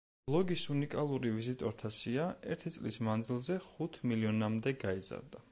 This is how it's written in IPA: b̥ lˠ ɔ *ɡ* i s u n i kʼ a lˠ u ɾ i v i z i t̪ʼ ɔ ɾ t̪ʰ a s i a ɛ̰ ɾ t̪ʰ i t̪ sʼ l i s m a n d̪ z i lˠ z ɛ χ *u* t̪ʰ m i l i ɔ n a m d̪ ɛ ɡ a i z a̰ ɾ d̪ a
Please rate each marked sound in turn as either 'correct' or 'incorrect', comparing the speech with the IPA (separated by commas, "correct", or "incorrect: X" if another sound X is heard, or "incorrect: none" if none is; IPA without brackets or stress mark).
correct, correct